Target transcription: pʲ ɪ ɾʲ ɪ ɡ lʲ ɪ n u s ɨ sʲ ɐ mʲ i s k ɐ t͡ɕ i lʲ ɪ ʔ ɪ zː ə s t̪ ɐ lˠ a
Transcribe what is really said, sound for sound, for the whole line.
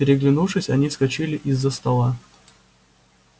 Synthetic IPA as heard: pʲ ɪ ɾʲ ɪ ɡ lʲ ɪ n u ʂ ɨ sʲ ɐ nʲ i s k ɐ t͡ɕ i lʲ ɪ ʔ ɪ zː ə s t̪ ɐ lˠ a